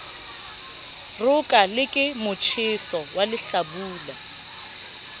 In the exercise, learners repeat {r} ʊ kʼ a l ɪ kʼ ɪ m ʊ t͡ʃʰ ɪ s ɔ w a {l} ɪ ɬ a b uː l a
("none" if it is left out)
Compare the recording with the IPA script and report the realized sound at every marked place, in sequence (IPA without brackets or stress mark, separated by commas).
r, l